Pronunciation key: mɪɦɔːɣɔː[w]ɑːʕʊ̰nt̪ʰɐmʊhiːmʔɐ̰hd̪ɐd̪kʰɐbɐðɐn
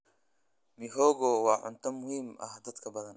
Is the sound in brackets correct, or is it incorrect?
correct